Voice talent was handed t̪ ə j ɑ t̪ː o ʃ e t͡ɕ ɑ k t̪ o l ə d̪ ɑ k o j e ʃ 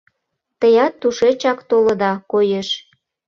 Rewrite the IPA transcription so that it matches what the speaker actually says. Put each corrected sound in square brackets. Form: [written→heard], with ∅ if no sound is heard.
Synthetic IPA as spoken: t̪ ə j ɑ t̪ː [o→u] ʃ e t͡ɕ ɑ k t̪ o l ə d̪ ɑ k o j e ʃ